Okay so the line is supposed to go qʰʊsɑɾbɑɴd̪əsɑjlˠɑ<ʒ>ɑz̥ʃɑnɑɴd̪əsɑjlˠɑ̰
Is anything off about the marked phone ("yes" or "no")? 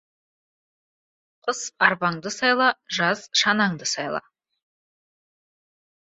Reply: no